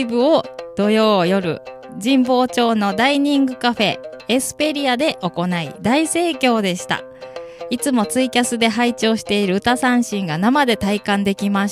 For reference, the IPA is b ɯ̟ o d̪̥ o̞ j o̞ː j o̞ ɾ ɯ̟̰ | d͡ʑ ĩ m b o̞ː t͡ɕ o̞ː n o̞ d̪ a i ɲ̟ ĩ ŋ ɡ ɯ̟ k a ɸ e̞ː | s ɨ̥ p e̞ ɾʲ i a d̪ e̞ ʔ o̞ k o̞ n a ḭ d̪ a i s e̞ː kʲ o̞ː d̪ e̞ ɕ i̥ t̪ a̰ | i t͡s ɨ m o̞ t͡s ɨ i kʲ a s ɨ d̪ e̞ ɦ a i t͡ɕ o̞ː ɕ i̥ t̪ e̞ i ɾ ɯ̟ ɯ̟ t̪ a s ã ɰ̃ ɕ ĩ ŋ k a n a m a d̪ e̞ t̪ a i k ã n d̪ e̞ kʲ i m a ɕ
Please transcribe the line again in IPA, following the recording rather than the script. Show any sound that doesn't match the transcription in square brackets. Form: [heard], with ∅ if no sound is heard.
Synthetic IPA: b ɯ̟ o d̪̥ o̞ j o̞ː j o̞ ɾ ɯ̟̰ | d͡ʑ ĩ m b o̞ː t͡ɕ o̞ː n o̞ d̪ a i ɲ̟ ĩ ŋ ɡ ɯ̟ k a ɸ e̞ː | s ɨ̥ p e̞ ɾʲ i a d̪ e̞ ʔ o̞ k o̞ n a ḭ d̪ a i s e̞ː kʲ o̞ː d̪ e̞ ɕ i̥ t̪ a̰ | i t͡s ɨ m o̞ t͡s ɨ i kʲ a s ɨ d̪ e̞ ɦ a i t͡ɕ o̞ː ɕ i̥ t̪ e̞ i ɾ ɯ̟ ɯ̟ t̪ a s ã ɰ̃ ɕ ĩ ŋ [ɡ] a n a m a d̪ e̞ t̪ a i k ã n d̪ e̞ kʲ i m a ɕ